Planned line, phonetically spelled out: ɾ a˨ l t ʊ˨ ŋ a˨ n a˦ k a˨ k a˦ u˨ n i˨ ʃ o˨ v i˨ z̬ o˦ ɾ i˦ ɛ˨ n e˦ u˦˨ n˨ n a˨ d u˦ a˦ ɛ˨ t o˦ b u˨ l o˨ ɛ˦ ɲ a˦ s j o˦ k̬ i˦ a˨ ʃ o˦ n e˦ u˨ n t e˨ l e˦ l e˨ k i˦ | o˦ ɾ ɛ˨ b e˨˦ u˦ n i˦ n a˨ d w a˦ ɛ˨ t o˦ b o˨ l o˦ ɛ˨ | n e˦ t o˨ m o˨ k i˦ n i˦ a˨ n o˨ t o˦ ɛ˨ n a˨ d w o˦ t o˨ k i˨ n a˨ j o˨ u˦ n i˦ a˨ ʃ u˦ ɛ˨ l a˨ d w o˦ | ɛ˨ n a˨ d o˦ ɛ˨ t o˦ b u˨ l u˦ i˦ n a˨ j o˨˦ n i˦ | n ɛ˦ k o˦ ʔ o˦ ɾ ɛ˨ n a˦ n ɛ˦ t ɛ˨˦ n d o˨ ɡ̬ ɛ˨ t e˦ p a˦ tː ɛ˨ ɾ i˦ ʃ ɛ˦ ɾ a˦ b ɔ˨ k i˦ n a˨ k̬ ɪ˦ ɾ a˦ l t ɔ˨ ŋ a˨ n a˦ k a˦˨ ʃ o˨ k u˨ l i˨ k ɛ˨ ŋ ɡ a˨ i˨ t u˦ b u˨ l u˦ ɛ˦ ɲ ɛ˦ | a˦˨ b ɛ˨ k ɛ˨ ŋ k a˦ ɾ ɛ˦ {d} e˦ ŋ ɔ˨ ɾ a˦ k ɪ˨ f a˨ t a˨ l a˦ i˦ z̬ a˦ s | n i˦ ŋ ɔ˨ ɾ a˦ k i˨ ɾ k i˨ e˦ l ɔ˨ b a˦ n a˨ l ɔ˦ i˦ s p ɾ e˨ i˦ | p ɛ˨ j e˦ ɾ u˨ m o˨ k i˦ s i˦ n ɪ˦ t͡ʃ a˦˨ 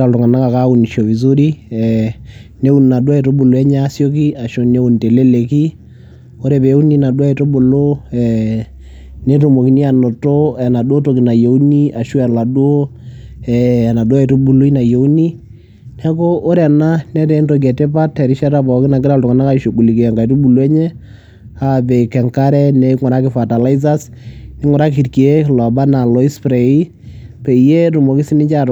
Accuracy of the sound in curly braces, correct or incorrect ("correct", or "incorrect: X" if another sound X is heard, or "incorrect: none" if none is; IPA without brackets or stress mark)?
incorrect: n